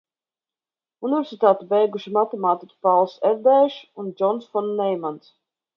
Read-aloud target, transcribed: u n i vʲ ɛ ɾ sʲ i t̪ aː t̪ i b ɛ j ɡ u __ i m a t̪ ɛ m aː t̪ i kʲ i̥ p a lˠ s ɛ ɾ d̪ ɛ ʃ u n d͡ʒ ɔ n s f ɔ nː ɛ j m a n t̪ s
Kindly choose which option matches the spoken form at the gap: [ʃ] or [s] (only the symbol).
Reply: ʃ